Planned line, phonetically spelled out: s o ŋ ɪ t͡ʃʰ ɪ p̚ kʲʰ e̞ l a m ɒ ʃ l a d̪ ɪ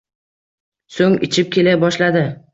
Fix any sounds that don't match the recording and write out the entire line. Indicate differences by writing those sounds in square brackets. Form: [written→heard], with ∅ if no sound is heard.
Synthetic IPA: s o ŋ ɪ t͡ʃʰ ɪ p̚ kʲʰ e̞ l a [m→b] ɒ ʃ l a d̪ ɪ